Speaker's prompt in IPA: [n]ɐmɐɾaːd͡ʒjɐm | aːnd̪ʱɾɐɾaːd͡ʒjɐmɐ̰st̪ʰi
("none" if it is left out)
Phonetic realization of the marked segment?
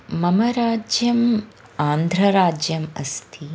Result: m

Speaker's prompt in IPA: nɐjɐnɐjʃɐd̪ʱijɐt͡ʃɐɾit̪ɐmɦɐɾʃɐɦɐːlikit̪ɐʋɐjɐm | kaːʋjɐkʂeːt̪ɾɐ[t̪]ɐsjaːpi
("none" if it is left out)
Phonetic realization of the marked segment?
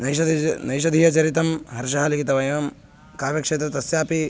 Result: t̪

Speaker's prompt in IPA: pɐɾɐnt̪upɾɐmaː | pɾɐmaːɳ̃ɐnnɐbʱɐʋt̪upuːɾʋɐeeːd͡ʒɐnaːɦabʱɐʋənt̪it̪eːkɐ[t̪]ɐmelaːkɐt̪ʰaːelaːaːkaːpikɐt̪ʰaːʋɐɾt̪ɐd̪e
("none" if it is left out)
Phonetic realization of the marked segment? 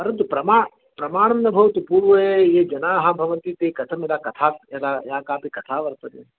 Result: t̪ʰ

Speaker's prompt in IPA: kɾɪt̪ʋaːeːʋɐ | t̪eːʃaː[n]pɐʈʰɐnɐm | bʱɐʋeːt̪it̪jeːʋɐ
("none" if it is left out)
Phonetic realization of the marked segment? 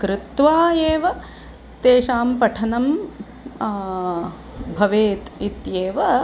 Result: m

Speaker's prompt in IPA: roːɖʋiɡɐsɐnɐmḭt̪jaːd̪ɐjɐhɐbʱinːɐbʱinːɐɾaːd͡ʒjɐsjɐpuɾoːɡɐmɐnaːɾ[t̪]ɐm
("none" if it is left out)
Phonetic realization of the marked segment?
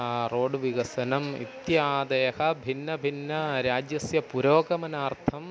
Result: t̪ʰ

